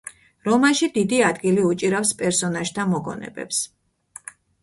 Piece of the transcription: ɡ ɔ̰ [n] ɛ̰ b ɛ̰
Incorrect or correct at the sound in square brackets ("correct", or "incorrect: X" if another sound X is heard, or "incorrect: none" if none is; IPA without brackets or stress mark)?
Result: correct